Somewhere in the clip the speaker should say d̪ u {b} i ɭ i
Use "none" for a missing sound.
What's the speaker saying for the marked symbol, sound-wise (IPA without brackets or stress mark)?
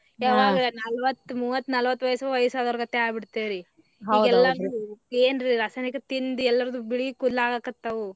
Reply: b